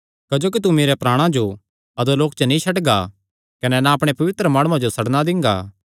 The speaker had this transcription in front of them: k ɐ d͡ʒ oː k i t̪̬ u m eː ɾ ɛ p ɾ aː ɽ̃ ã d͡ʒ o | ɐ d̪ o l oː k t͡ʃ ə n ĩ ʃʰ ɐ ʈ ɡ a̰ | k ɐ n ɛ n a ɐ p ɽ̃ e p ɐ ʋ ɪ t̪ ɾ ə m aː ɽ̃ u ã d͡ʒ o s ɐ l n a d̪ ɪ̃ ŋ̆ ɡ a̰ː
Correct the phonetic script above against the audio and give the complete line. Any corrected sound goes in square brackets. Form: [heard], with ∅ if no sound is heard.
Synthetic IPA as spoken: k ɐ d͡ʒ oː k i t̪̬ u m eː ɾ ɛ p ɾ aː ɽ̃ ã d͡ʒ o | ɐ d̪ o l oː k t͡ʃ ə n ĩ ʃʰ ɐ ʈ ɡ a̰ | k ɐ n ɛ n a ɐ p ɽ̃ e p ɐ ʋ ɪ t̪ ɾ ə m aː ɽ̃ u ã d͡ʒ o s ɐ [ɽ] n a d̪ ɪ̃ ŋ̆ ɡ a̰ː